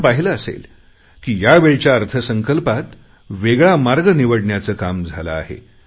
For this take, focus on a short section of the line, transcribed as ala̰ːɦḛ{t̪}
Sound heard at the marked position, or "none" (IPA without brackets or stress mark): none